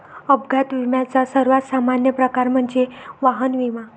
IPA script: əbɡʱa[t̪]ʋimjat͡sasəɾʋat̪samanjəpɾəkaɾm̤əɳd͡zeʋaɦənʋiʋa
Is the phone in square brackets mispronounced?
no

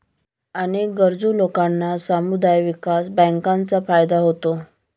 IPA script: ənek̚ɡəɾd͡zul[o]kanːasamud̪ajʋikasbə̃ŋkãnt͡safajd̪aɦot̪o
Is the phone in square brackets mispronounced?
no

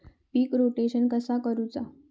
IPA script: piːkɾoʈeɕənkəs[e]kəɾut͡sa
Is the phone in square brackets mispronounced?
yes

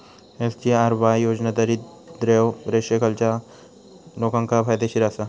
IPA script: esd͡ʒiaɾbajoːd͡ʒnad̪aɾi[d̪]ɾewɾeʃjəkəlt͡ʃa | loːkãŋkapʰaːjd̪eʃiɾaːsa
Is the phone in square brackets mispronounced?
no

